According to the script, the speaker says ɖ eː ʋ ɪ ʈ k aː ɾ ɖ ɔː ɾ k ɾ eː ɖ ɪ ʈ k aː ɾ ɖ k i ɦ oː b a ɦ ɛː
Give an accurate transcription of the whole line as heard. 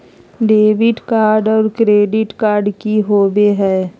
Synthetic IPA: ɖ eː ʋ ɪ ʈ k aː ɾ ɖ ɔː ɾ k ɾ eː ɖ ɪ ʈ k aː ɾ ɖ k i ɦ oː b e ɦ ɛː